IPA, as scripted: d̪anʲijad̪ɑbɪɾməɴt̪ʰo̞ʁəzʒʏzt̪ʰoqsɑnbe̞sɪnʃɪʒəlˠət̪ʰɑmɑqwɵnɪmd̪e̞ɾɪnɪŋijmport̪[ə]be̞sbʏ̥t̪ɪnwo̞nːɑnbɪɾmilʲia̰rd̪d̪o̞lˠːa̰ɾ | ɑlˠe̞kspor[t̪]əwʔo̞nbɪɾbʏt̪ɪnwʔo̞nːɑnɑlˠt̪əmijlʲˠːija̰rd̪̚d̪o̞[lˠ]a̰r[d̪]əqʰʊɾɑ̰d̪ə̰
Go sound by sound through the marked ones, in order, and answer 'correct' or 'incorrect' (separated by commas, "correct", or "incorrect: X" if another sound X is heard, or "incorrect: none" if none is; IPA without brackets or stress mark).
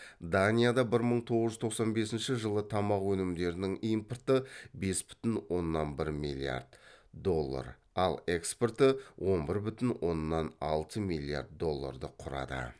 correct, correct, incorrect: lˠː, correct